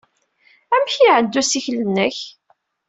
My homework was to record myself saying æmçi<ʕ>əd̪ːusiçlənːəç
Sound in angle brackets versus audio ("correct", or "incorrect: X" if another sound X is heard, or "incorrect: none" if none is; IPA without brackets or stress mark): correct